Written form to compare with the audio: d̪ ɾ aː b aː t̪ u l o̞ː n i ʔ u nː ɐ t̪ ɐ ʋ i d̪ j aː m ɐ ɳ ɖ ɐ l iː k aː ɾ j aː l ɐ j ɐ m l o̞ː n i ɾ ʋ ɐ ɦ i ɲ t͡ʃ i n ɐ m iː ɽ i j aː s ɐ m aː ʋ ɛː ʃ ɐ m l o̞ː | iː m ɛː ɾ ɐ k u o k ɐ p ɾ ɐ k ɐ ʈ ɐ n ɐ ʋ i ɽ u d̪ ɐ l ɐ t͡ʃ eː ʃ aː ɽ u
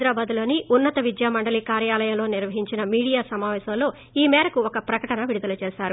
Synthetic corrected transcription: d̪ ɾ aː b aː d̪ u l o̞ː n i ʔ u nː ɐ t̪ ɐ ʋ i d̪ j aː m ɐ ɳ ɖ ɐ l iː k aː ɾ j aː l ɐ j ɐ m l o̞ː n i ɾ ʋ ɐ ɦ i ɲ t͡ʃ i n ɐ m iː ɽ i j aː s ɐ m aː ʋ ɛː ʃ ɐ m l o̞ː | iː m ɛː ɾ ɐ k u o k ɐ p ɾ ɐ k ɐ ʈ ɐ n ɐ ʋ i ɽ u d̪ ɐ l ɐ t͡ʃ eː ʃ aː ɾ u